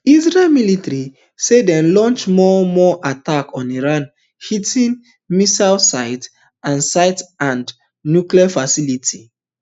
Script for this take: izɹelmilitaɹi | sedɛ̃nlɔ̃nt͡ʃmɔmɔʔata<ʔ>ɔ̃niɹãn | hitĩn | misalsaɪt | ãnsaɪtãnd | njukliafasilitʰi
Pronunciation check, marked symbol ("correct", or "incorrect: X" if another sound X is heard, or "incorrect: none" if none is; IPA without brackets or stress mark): incorrect: k